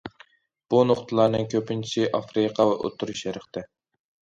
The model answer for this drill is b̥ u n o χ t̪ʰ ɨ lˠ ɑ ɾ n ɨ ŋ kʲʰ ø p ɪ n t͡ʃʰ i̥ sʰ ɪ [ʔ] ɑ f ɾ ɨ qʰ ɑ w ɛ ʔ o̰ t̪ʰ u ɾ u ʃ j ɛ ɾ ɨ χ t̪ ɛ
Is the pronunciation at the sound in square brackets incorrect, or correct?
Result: correct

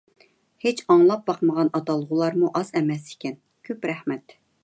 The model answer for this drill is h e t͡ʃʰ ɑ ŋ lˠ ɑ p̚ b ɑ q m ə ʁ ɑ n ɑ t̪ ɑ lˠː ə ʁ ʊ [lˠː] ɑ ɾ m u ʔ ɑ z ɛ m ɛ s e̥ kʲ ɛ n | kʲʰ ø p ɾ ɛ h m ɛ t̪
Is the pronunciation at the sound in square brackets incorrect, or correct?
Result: incorrect: lˠ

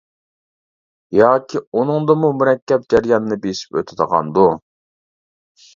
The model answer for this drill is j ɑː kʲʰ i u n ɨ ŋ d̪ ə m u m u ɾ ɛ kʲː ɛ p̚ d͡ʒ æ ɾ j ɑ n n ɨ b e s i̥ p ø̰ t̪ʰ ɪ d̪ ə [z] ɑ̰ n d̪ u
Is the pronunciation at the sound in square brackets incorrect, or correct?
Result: incorrect: ʁ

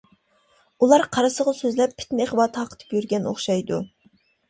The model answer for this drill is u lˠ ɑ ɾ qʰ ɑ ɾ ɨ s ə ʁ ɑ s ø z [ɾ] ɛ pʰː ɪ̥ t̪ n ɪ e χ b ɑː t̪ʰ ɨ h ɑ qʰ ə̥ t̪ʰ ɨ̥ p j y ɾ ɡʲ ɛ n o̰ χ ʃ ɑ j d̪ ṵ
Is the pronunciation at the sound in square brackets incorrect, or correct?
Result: incorrect: l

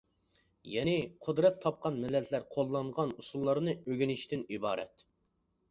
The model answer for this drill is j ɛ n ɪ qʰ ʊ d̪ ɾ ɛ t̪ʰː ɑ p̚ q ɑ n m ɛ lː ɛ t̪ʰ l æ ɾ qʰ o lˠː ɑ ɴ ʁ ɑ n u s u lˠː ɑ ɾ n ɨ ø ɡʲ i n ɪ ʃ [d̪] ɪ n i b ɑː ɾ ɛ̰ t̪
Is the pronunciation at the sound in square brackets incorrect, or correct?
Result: incorrect: t̪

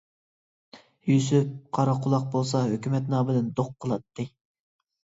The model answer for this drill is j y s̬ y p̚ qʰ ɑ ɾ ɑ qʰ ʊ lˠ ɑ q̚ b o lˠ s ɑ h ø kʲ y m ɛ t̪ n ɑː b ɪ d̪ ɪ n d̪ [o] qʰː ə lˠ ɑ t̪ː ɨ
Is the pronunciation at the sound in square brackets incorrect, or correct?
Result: correct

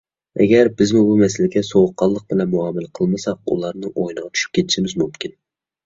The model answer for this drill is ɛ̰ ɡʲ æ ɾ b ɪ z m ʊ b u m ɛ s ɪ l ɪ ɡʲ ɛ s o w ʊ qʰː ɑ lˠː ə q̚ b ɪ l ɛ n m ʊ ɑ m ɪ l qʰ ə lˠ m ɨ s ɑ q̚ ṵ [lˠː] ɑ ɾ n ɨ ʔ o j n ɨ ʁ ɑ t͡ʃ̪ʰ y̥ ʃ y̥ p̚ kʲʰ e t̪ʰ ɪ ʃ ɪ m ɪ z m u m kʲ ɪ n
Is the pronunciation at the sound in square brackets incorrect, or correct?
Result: incorrect: lˠ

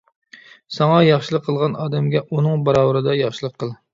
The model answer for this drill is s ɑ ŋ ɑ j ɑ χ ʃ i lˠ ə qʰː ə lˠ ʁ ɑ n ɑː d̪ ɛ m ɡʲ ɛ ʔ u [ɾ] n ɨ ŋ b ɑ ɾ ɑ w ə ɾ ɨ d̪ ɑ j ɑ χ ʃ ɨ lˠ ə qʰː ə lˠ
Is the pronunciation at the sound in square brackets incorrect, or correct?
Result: incorrect: none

